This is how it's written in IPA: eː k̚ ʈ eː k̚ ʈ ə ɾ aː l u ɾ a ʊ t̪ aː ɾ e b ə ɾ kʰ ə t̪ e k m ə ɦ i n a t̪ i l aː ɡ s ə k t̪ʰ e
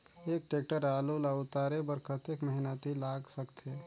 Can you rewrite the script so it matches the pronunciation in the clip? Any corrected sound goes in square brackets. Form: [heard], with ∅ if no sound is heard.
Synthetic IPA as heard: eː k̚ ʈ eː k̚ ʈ ə ɾ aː l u [l] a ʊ t̪ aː ɾ e b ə ɾ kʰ ə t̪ e k m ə ɦ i n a t̪ i l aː ɡ s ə k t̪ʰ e